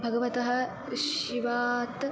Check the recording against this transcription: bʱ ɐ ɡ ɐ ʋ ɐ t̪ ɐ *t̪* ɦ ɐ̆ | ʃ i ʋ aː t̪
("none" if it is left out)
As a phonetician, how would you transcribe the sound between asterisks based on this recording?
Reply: none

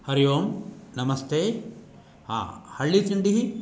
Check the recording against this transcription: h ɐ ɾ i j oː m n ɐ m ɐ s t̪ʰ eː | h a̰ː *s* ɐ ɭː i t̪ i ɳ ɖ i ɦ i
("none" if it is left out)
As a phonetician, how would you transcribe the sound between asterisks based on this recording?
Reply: h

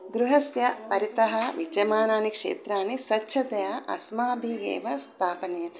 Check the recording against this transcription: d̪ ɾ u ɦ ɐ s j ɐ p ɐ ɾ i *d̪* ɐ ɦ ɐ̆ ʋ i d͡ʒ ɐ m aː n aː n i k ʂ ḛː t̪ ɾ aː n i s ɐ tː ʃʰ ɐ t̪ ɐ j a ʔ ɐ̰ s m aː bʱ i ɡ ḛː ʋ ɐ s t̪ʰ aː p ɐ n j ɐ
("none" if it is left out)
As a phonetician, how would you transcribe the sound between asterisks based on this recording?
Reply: t̪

